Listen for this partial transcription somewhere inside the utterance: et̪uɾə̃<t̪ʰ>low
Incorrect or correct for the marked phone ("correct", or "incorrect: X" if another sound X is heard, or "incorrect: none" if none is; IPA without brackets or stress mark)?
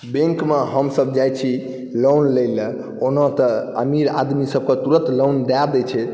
incorrect: t̪